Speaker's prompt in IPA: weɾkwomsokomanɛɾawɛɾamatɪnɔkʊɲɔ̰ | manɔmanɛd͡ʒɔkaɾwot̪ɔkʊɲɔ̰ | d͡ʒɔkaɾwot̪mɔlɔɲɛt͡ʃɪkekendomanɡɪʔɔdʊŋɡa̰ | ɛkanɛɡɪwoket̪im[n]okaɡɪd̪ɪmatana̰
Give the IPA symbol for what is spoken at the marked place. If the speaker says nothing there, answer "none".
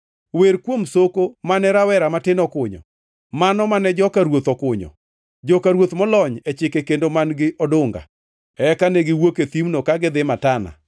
n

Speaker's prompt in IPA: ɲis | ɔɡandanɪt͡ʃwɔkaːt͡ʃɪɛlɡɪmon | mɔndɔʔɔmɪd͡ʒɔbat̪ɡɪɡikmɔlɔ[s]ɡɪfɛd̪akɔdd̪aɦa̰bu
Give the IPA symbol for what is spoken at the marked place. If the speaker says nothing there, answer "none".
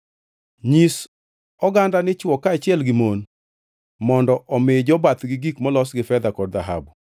s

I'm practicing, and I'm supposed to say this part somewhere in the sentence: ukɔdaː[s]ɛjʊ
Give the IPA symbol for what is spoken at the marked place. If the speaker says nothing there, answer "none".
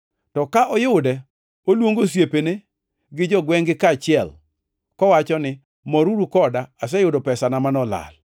s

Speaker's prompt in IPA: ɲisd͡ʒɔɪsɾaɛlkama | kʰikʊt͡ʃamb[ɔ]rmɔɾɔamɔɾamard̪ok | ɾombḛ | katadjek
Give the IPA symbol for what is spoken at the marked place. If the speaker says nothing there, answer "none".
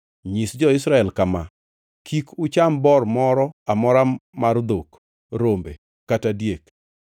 ɔ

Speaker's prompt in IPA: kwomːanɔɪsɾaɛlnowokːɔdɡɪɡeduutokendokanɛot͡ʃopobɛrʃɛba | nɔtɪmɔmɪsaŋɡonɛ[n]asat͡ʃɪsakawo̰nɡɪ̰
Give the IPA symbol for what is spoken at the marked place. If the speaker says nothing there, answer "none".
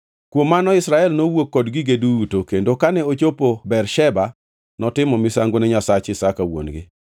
ɲ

